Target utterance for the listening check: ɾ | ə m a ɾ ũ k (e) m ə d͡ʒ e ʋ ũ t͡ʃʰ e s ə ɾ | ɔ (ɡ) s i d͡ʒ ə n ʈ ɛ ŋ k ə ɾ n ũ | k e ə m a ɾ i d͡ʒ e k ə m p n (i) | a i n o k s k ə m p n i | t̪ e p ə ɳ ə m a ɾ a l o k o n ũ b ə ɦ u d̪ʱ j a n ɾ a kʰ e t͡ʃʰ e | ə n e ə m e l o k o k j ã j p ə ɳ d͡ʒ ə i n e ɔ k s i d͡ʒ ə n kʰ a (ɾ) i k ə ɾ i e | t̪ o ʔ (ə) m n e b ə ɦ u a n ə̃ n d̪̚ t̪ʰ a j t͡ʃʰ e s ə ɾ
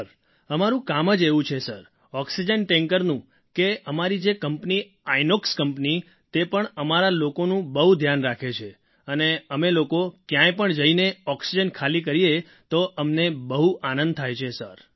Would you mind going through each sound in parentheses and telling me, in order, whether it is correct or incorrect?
incorrect: a, incorrect: k, correct, incorrect: l, correct

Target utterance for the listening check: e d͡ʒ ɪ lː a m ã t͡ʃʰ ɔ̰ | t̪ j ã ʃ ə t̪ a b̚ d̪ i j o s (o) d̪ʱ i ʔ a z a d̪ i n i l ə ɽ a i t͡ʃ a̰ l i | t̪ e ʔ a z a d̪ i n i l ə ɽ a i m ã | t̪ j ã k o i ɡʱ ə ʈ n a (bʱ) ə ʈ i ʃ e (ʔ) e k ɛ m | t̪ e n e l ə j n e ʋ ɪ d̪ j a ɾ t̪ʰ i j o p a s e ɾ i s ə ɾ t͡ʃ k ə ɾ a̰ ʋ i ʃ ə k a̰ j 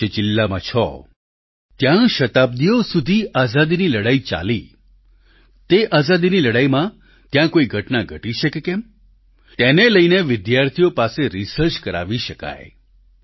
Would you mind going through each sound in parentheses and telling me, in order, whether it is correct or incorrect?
incorrect: u, incorrect: ɡʱ, incorrect: k

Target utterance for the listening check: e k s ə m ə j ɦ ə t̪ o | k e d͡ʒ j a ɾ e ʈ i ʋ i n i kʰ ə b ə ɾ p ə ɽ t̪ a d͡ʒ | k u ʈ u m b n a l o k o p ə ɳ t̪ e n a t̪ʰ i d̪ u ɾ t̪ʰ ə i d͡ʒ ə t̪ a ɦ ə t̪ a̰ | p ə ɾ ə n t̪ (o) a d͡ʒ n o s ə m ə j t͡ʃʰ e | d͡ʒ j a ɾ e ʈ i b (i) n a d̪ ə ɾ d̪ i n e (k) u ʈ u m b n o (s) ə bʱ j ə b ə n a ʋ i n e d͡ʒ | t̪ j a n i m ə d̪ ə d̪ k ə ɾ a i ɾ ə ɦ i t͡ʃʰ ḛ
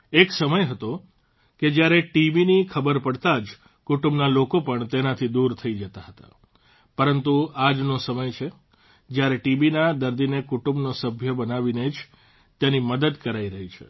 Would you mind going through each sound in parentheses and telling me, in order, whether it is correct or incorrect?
incorrect: u, correct, correct, correct

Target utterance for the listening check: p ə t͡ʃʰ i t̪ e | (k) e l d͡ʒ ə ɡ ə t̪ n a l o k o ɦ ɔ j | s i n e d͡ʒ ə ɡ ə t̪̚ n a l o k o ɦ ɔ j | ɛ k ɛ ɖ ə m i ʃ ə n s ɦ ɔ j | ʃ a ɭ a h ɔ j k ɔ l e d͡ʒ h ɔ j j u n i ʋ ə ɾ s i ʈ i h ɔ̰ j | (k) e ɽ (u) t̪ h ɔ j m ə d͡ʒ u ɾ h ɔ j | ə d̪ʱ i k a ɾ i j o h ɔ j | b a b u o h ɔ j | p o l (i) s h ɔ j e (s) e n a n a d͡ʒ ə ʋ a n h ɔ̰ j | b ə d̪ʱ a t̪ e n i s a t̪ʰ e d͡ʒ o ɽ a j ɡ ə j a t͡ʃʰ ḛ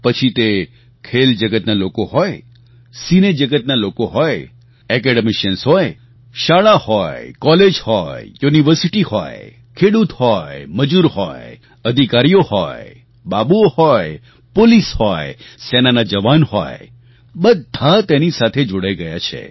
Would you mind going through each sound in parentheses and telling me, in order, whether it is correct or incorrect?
incorrect: kʰ, incorrect: kʰ, correct, correct, correct

